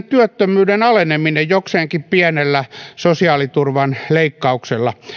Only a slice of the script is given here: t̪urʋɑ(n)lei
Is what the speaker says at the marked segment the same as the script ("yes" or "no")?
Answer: yes